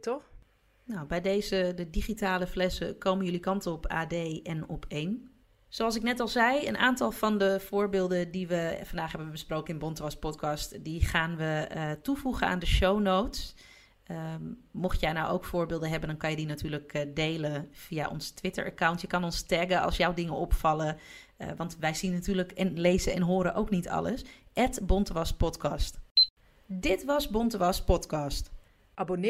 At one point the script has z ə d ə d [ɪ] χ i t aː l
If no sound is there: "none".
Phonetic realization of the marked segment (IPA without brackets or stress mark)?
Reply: i